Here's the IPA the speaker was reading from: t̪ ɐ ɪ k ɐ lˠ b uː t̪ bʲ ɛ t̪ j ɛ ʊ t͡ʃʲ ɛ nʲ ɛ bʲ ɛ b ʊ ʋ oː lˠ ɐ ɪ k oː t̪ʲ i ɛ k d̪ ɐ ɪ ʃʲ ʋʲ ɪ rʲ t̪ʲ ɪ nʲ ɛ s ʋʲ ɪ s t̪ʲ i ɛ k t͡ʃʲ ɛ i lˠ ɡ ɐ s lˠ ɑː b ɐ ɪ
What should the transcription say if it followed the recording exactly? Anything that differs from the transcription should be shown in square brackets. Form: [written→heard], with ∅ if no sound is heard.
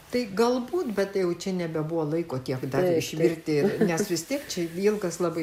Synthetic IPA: t̪ ɐ ɪ [k→ɡ] ɐ lˠ b uː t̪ bʲ ɛ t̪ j ɛ ʊ t͡ʃʲ ɛ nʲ ɛ bʲ ɛ b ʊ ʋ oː lˠ ɐ ɪ k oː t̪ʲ i ɛ k d̪ ɐ ɪ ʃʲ ʋʲ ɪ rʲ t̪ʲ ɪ nʲ ɛ s ʋʲ ɪ s t̪ʲ i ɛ k t͡ʃʲ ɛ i lˠ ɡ ɐ s lˠ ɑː b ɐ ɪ

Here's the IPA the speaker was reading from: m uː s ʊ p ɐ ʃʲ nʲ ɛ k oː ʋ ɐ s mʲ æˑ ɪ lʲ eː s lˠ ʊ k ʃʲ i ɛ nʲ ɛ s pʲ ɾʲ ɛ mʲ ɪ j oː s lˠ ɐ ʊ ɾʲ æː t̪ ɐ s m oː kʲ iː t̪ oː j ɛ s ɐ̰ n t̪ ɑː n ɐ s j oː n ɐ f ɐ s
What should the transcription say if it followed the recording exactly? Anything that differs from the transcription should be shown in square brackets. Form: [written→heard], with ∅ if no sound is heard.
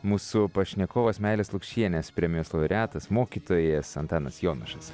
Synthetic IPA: m uː s ʊ p ɐ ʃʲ nʲ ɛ k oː ʋ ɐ s mʲ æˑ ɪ lʲ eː s lˠ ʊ k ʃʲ i ɛ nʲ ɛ s pʲ ɾʲ ɛ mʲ ɪ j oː s lˠ ɐ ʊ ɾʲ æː t̪ ɐ s m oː kʲ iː t̪ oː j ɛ s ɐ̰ n t̪ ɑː n ɐ s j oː n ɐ [f→ʃ] ɐ s

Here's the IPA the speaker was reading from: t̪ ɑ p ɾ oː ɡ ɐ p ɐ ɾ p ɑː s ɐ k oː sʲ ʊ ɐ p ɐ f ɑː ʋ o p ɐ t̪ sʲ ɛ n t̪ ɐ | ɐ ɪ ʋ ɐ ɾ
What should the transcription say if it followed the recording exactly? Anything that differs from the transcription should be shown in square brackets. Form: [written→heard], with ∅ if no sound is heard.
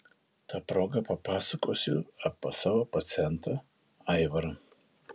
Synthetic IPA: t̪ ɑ p ɾ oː ɡ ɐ p ɐ [ɾ→∅] p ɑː s ɐ k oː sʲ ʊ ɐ p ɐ [f→s] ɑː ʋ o p ɐ t̪ sʲ ɛ n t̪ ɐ | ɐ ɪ ʋ ɐ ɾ

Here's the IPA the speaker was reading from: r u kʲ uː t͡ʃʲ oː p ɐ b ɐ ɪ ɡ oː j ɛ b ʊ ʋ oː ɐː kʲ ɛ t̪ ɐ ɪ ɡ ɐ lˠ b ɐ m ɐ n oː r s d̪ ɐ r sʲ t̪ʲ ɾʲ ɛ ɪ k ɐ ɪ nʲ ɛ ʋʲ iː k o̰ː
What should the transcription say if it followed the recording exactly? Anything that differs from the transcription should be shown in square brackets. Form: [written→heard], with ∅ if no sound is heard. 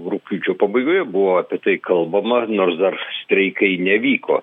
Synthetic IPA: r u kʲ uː t͡ʃʲ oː p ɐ b ɐ ɪ ɡ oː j ɛ b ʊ ʋ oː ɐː [kʲ→pʲ] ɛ t̪ ɐ ɪ [ɡ→k] ɐ lˠ b ɐ m ɐ n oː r s d̪ ɐ r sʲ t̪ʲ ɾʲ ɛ ɪ k ɐ ɪ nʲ ɛ ʋʲ iː k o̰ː

